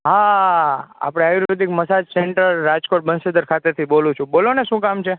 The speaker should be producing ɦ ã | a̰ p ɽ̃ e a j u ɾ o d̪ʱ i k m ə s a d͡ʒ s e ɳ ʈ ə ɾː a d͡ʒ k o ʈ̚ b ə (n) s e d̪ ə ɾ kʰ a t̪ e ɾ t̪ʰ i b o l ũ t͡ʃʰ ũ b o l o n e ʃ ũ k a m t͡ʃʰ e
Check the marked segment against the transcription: correct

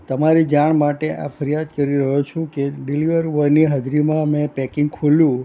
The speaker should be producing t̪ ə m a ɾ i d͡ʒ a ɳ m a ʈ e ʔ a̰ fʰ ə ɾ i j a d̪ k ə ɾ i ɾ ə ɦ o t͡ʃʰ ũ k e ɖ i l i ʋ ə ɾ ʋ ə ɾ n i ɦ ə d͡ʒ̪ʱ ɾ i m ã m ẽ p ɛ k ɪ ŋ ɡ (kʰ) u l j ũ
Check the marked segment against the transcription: correct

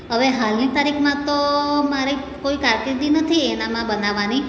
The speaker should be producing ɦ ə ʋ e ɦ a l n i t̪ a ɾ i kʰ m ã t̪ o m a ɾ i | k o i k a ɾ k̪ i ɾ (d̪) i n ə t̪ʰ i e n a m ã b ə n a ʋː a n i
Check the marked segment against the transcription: correct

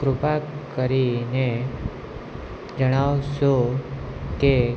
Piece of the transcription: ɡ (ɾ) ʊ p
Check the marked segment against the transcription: correct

